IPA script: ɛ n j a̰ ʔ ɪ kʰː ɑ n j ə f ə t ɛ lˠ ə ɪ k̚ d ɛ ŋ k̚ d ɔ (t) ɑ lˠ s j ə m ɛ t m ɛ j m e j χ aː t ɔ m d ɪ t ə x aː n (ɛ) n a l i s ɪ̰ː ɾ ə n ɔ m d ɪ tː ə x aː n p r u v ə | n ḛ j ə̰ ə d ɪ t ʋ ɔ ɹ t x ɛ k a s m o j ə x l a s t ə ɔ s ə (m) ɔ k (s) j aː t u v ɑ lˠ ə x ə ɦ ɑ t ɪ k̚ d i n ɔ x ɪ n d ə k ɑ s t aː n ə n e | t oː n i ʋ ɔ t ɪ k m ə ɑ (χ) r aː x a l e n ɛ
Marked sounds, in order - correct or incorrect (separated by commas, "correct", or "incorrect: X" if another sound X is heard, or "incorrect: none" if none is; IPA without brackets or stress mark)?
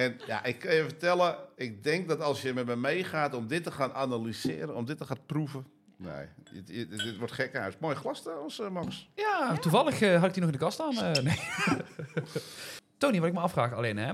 correct, incorrect: a, correct, correct, incorrect: f